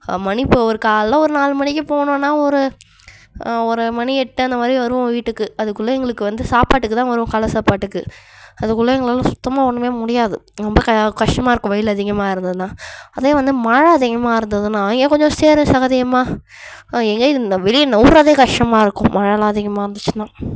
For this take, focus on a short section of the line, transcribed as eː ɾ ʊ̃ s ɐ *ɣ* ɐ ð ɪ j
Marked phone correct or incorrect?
correct